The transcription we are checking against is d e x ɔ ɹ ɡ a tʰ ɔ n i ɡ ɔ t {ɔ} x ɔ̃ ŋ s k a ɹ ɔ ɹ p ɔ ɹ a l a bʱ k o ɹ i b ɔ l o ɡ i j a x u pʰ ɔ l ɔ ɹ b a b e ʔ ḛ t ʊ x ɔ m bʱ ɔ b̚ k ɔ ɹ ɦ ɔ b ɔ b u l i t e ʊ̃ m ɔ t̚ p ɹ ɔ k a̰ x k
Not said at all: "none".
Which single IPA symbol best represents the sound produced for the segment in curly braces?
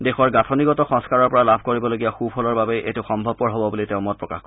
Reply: ɔ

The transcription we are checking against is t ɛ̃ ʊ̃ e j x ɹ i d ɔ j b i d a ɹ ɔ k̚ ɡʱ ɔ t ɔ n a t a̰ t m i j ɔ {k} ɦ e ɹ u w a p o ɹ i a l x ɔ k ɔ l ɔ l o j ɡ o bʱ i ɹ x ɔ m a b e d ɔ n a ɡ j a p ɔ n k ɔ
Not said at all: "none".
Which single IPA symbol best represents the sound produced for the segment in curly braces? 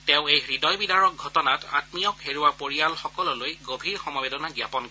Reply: k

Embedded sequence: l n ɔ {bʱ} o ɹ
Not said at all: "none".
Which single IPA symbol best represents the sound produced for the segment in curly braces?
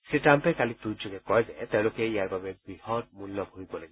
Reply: bʱ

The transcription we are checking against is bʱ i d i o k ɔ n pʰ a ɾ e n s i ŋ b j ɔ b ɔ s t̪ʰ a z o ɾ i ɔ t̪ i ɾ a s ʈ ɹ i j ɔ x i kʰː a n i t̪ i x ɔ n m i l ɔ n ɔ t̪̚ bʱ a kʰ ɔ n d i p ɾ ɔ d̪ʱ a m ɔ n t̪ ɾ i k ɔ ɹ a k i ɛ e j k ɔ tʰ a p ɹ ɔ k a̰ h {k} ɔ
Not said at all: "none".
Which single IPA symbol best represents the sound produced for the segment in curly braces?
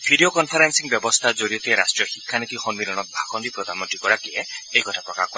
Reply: k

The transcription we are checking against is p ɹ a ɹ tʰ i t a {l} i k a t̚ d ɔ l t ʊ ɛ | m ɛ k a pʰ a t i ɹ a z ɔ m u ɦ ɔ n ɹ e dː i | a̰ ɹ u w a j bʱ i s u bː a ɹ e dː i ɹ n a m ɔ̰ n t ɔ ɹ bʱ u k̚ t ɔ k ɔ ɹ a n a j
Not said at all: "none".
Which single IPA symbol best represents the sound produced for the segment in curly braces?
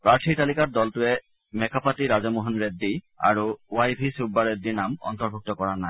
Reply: l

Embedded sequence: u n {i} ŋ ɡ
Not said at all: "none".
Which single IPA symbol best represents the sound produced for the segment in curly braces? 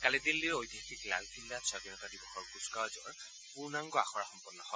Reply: a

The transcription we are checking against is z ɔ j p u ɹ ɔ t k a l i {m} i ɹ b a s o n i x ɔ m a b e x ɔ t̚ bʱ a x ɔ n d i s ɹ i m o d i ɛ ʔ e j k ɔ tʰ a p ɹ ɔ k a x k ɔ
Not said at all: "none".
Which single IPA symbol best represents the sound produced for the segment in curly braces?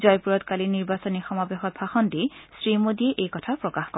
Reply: n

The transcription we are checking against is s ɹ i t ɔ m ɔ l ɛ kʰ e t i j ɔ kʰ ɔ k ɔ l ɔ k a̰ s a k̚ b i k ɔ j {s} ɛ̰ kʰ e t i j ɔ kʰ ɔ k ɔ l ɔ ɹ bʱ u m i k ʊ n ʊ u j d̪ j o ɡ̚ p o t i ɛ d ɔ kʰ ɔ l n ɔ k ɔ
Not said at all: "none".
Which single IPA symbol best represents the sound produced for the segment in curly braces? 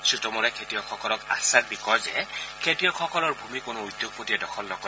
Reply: z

